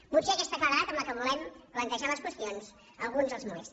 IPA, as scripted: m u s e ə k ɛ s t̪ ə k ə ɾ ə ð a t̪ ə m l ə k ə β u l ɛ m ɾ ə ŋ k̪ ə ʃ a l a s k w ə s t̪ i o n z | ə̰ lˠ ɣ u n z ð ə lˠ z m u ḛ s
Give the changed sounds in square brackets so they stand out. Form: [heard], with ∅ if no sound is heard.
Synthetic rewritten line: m u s e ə k ɛ s t̪ ə k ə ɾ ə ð a t̪ ə m l ə k ə β u l ɛ m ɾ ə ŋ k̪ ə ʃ a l [ə] s k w ə s t̪ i o n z | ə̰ lˠ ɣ u n z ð ə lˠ z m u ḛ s